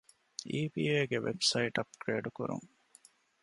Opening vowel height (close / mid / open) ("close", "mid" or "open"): close